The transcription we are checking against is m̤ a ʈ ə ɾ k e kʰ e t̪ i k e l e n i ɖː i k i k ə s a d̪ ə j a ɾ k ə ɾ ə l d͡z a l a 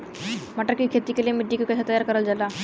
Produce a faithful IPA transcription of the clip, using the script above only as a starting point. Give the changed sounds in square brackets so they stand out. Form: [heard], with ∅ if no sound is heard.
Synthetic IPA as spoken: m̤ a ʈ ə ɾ k [i] kʰ e t̪ i k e l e [m] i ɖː i k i k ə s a [t̪] ə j a ɾ k ə ɾ ə l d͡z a l a

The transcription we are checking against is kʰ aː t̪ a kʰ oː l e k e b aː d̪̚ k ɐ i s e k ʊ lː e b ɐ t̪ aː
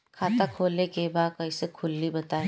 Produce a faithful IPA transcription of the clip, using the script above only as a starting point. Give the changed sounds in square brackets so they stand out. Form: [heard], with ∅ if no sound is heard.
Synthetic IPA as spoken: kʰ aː t̪ a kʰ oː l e k e b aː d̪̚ k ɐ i s e [kʰ] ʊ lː [i] b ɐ t̪ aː

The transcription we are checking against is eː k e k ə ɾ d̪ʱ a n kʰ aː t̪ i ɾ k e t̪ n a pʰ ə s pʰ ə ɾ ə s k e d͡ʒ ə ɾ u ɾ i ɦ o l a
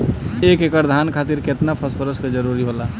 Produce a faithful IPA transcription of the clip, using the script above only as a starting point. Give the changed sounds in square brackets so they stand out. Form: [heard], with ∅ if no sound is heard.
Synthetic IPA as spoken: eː k e k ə ɾ d̪ʱ a n kʰ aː t̪ i ɾ k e t̪ n a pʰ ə s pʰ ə ɾ ə s k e d͡ʒ ə ɾ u ɾ i ɦ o l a

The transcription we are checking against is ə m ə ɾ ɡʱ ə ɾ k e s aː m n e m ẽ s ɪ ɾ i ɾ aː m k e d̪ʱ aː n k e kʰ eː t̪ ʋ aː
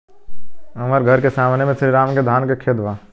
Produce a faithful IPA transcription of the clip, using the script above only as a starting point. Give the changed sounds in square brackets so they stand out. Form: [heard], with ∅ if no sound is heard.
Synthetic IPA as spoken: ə m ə ɾ ɡʱ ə ɾ k e s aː m n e m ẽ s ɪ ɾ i ɾ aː m k e d̪ʱ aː n k e kʰ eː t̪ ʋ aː

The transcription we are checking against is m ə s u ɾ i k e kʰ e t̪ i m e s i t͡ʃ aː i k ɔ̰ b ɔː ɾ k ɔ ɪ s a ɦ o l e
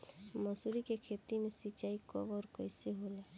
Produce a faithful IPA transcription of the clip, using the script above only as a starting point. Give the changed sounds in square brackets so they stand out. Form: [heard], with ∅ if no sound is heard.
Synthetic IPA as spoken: m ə s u ɾ i k e kʰ e t̪ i m e s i t͡ʃ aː i k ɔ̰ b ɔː ɾ k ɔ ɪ s [e] ɦ o l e

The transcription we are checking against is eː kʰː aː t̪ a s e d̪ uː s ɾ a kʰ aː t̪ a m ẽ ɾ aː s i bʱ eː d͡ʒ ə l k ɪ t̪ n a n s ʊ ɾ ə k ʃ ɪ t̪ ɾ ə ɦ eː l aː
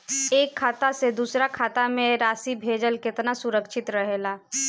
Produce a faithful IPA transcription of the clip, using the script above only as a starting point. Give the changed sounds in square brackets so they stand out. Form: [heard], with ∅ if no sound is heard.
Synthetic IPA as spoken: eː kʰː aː t̪ a s e d̪ uː s ɾ a kʰ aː t̪ a m ẽ ɾ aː s i bʱ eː d͡ʒ ə l k ɪ t̪ n a [∅] s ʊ ɾ ə k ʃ ɪ t̪ ɾ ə ɦ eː l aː

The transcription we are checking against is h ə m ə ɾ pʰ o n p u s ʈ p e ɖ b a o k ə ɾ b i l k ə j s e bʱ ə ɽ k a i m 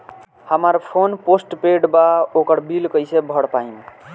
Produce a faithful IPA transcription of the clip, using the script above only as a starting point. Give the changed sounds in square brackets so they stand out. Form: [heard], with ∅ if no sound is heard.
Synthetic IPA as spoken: h ə m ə ɾ pʰ o n p [o] s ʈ p e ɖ b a o k ə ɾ b i l k ə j s e bʱ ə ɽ [p] a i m

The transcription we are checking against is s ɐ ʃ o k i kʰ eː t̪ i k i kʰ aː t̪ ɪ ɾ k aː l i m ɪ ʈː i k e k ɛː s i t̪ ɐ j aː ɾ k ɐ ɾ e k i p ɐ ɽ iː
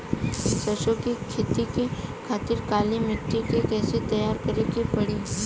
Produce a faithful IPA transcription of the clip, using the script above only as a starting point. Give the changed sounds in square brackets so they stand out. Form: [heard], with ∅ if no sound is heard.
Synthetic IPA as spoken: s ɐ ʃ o k i kʰ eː t̪ i k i kʰ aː t̪ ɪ ɾ k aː l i m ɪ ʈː i k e k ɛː s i t̪ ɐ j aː ɾ k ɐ ɾ e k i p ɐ ɽ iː

